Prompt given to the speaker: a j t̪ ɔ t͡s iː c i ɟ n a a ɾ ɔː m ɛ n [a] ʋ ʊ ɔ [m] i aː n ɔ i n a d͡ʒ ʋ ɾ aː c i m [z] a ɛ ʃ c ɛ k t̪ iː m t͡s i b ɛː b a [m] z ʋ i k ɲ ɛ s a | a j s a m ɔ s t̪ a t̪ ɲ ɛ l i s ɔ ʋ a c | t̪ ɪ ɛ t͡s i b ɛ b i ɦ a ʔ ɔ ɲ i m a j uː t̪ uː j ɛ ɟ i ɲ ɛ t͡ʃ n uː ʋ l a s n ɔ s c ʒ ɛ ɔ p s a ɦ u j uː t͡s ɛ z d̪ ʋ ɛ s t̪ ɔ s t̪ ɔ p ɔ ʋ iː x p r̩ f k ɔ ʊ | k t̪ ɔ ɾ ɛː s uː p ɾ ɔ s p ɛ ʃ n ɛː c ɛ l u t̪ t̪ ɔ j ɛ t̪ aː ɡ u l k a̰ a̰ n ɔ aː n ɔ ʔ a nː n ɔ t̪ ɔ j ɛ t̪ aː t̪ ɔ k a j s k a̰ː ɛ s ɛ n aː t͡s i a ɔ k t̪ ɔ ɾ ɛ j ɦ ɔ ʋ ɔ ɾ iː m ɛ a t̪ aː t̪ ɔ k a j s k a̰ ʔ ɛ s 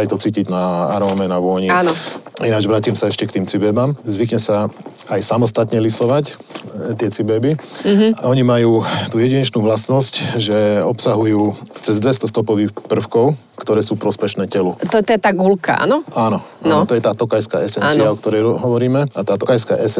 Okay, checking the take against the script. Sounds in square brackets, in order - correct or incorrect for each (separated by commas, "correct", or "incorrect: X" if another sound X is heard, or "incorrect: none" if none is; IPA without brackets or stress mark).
correct, incorrect: ɲ, incorrect: s, correct